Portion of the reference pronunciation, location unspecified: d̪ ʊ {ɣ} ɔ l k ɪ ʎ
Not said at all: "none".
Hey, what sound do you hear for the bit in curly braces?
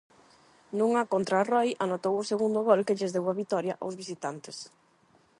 ɣ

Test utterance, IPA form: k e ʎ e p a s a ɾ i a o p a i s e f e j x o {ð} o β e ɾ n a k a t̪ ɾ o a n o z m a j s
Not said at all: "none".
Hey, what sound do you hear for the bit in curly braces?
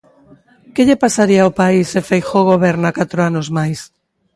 ɣ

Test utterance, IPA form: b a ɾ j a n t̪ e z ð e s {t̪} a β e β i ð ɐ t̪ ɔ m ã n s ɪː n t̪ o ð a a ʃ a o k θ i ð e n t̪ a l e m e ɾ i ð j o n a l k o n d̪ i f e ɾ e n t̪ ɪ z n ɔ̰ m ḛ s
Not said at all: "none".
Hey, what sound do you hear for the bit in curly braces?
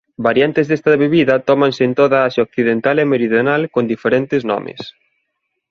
t̪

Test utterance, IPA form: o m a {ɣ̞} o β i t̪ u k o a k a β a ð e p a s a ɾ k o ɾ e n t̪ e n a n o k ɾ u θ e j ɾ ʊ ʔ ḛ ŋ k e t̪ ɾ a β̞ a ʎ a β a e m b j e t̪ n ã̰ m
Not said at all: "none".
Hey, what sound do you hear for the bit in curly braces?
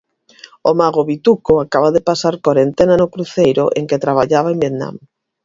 ɣ̞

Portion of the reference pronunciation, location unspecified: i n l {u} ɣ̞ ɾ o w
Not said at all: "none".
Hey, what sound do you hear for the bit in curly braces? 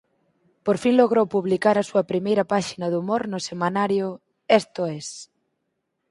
o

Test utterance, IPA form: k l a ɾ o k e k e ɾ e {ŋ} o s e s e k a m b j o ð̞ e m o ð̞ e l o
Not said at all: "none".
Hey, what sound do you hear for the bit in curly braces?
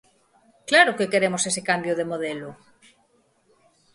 m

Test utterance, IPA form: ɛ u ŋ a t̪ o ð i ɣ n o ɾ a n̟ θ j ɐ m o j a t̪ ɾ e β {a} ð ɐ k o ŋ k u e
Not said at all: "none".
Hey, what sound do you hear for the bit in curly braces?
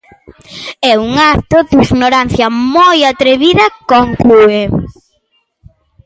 i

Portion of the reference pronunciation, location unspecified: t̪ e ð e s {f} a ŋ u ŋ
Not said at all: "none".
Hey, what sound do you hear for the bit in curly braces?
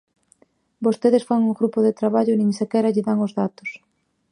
f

